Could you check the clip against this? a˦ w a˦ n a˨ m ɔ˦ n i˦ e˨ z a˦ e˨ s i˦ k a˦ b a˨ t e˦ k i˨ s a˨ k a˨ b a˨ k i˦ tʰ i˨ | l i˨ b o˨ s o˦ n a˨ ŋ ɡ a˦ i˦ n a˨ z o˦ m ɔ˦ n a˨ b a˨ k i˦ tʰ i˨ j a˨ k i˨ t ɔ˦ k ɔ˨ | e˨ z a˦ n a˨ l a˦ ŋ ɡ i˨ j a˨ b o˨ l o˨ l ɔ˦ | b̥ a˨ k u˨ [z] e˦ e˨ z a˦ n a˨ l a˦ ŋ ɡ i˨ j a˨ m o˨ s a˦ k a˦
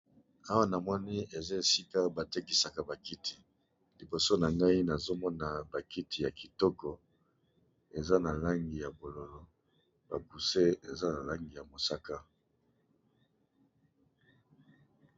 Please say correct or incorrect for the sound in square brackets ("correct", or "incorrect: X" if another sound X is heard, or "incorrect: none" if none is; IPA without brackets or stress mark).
incorrect: s